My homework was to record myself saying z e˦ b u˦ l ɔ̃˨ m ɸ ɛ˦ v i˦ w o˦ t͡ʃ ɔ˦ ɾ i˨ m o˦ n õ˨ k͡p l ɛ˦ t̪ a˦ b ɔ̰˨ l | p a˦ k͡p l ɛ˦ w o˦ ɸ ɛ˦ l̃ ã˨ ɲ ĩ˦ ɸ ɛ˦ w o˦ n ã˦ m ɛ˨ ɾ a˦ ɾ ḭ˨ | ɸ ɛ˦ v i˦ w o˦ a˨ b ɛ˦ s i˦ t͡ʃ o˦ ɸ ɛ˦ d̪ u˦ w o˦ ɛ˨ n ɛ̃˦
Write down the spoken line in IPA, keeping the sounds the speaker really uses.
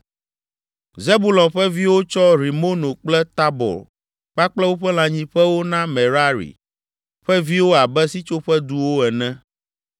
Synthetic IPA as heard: z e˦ b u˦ l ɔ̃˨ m ɸ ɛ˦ v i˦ w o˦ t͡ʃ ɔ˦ ɾ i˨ m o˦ n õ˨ k͡p l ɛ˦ t̪ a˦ b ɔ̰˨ l | k͡p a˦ k͡p l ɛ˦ w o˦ ɸ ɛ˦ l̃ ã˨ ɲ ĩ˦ ɸ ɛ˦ w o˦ n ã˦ m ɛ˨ ɾ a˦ ɾ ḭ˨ | ɸ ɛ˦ v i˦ w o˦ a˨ b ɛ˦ s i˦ t͡ʃ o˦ ɸ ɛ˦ d̪ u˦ w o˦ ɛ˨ n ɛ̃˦